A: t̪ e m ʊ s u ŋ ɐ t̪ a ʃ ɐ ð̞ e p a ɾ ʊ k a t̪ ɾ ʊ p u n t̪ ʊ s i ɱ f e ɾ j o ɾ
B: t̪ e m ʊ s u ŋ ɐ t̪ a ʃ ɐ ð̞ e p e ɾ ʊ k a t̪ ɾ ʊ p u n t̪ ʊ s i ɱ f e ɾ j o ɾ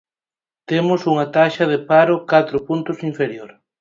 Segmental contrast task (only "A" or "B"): A